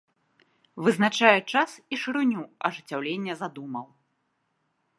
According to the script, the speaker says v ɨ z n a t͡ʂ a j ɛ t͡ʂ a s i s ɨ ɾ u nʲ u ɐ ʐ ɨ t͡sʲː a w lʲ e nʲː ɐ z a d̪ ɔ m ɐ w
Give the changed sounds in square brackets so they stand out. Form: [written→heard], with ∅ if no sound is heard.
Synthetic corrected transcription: v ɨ z n a t͡ʂ a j ɛ t͡ʂ a s i [s→ʂ] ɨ ɾ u nʲ u ɐ ʐ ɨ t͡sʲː a w lʲ e nʲː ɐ z a d̪ [ɔ→u] m ɐ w